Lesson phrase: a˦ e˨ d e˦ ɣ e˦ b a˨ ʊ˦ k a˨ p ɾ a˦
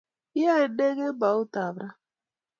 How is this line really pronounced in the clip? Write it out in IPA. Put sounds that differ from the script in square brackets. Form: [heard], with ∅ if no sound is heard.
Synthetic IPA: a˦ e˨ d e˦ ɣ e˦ b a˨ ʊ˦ [t] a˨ [b] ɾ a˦